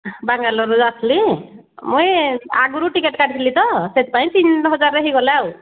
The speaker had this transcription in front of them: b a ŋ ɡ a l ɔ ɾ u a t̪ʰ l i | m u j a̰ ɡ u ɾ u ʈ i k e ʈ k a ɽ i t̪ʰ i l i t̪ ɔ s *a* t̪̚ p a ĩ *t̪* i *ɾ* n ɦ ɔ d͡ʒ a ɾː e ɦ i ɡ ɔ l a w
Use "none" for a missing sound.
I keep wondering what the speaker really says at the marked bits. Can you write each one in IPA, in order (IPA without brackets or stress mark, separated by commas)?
e, t̪, none